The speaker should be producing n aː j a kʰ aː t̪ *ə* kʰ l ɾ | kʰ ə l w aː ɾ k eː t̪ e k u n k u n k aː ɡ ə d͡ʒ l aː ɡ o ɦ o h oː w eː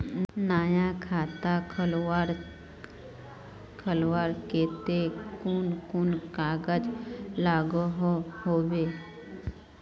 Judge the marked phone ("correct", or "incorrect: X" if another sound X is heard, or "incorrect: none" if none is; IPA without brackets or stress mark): incorrect: a